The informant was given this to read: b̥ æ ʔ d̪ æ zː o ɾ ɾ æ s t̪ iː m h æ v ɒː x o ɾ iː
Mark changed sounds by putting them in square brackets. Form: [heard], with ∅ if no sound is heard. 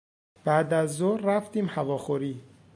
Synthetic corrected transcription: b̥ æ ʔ d̪ æ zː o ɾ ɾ æ [f] t̪ iː m h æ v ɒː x o ɾ iː